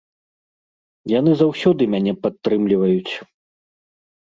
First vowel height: low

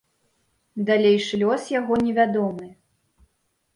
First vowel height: low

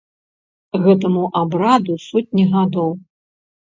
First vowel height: mid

